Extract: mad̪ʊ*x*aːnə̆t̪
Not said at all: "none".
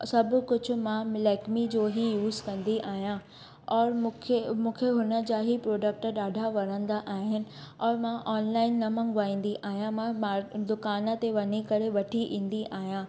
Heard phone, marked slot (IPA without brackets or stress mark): k